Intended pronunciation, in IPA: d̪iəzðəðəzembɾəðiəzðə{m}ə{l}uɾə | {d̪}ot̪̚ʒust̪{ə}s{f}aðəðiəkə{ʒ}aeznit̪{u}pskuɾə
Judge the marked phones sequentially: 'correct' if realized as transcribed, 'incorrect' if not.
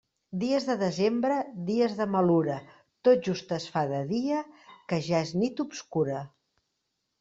correct, correct, incorrect, correct, correct, correct, correct

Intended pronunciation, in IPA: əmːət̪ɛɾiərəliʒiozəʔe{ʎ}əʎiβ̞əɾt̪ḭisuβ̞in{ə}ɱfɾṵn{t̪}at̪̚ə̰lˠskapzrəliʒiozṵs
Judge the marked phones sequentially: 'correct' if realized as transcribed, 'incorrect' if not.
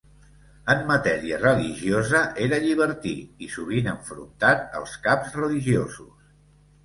incorrect, correct, correct

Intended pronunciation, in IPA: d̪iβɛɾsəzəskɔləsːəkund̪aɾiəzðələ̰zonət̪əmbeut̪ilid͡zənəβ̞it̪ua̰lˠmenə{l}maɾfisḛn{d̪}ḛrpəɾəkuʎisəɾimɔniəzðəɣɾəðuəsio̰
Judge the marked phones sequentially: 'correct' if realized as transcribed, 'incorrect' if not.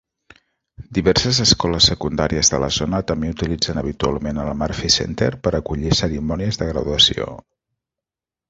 correct, incorrect

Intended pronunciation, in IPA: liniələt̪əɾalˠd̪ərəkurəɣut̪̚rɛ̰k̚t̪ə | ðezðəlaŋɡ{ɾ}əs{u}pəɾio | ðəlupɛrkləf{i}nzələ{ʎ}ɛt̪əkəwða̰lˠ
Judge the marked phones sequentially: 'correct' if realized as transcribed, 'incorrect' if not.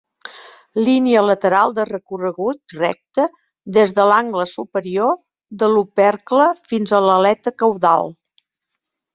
incorrect, correct, correct, incorrect

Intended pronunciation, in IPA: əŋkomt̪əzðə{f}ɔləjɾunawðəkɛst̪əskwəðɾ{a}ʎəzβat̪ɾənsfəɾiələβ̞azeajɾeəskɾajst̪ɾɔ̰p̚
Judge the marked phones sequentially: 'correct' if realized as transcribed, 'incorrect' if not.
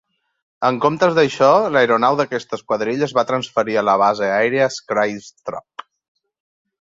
incorrect, incorrect

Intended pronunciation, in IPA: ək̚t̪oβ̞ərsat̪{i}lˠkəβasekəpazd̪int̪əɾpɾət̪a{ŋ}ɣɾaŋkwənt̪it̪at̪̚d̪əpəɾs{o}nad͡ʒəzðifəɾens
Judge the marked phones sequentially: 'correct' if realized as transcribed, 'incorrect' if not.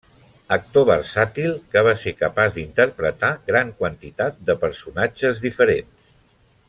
correct, incorrect, incorrect

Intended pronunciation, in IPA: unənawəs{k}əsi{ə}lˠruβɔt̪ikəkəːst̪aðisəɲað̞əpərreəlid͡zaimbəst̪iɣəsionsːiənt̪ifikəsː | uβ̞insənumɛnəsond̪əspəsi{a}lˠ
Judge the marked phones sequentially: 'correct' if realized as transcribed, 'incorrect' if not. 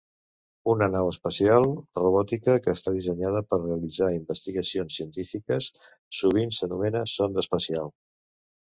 incorrect, incorrect, correct

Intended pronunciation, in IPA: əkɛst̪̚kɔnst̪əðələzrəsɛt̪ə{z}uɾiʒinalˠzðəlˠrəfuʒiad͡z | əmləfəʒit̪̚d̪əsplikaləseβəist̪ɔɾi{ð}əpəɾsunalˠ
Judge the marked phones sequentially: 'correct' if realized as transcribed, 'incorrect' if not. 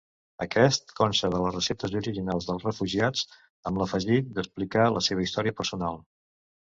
correct, incorrect

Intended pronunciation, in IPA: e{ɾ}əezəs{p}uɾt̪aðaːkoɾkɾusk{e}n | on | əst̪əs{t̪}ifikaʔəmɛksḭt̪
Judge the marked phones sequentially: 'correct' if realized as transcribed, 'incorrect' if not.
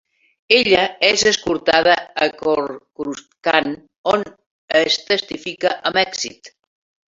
incorrect, incorrect, incorrect, correct

